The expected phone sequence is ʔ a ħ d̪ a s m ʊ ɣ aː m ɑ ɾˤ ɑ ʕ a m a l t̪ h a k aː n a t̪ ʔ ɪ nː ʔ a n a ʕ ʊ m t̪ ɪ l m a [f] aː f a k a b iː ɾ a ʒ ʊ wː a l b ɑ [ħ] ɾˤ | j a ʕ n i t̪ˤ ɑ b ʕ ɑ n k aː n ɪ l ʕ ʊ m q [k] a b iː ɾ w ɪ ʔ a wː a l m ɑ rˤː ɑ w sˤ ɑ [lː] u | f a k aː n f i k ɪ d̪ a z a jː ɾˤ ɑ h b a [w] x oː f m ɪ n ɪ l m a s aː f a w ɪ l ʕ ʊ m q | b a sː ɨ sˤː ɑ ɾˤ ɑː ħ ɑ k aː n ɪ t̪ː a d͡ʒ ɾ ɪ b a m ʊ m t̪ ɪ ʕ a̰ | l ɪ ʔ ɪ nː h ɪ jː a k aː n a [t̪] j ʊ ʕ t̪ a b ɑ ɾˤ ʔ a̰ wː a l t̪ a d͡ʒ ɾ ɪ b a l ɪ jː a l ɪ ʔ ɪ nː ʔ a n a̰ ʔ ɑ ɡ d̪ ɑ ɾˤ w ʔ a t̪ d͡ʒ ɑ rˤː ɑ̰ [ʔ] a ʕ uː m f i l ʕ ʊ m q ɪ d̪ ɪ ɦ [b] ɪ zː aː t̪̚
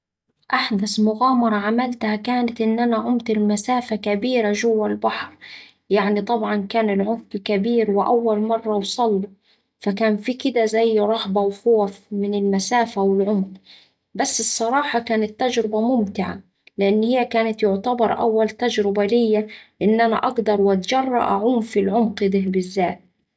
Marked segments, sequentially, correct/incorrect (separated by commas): incorrect, correct, correct, correct, correct, correct, correct, correct